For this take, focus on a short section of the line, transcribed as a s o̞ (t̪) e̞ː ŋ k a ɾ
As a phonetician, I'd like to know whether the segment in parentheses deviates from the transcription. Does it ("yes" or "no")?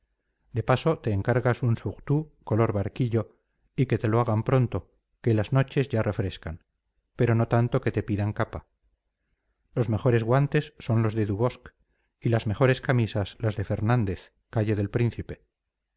no